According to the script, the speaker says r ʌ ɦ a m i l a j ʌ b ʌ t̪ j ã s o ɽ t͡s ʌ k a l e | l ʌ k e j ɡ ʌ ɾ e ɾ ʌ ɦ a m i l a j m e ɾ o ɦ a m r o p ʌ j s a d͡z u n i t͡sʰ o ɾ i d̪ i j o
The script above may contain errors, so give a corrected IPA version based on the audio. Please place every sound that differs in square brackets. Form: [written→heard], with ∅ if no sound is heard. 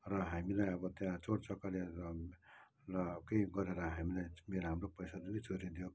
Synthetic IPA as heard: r ʌ ɦ a m i l a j ʌ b ʌ t̪ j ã [s→t͡s] o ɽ t͡s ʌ k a l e | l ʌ k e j ɡ ʌ ɾ e ɾ ʌ ɦ a m i l a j m e ɾ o ɦ a m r o p ʌ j s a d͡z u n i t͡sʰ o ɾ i d̪ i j o